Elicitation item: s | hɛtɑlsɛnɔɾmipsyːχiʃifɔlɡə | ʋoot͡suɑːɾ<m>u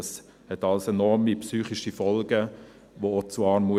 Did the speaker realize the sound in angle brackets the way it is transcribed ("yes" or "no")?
yes